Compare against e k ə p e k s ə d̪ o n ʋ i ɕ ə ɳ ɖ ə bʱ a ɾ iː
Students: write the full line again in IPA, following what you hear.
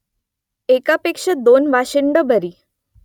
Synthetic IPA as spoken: e k a p e k ʂ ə d̪ o n ʋ a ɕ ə ɳ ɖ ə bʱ ə ɾ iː